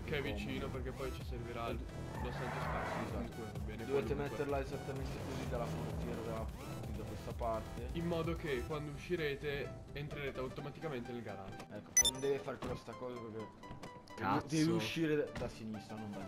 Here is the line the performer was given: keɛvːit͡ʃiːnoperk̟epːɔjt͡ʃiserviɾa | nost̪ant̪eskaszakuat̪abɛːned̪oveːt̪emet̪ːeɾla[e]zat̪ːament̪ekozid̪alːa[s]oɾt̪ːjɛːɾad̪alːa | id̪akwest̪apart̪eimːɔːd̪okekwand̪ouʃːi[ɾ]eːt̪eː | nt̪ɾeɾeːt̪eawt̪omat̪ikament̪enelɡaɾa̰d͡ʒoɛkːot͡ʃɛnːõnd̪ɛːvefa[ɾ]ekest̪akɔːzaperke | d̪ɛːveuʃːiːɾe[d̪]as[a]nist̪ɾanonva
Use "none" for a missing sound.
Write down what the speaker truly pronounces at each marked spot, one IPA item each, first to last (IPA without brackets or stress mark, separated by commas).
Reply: e, f, ɾ, ɾ, d̪, i